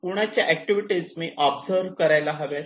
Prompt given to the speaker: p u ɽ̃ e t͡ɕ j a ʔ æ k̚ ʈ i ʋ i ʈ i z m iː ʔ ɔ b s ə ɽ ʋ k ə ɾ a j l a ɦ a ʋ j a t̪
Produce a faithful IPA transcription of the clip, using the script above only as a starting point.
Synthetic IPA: p u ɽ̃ a t͡ɕ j a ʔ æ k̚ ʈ i ʋ i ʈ i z m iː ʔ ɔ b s ə ɾ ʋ k ə ɾ a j l a ɦ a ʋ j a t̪